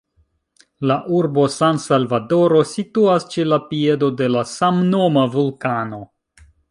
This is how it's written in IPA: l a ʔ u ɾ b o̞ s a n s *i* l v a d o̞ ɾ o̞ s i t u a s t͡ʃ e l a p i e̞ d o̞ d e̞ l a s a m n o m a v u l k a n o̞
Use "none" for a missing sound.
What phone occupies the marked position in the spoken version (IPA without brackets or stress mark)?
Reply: a